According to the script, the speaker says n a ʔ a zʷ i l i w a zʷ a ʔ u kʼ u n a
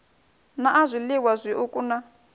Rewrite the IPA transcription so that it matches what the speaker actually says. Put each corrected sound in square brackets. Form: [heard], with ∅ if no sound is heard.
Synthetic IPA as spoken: n a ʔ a zʷ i l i w a zʷ [i] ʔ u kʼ u n a